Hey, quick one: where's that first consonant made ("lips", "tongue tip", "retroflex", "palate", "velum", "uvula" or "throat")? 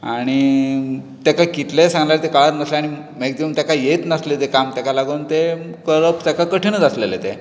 retroflex